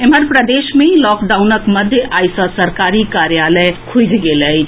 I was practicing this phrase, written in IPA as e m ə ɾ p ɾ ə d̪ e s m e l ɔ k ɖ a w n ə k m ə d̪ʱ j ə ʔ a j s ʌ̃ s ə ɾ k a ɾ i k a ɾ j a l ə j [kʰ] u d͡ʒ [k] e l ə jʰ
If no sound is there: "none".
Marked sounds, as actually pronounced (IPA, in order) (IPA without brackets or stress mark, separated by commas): kʰ, ɡ